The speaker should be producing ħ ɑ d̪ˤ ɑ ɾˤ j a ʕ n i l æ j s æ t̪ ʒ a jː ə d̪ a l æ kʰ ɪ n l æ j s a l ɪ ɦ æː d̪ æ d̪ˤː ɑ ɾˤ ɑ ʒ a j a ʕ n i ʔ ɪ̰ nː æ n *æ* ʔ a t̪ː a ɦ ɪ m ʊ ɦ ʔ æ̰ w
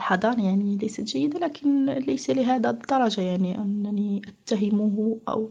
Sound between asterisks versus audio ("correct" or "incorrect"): incorrect